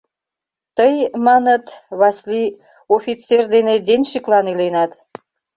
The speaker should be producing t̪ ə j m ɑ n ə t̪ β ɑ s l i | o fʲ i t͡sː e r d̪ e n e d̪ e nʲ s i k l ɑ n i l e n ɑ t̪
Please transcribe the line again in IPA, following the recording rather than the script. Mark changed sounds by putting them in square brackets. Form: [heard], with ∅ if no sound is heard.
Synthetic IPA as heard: t̪ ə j m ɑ n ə t̪ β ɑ s l i | o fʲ i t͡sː e r d̪ e n e d̪ e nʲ [ʃ] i k l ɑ n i l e n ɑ t̪